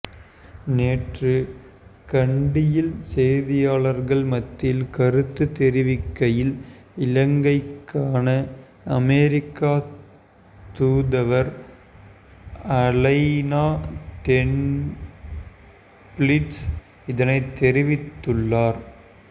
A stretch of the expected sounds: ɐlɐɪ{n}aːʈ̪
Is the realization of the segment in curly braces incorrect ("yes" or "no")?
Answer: no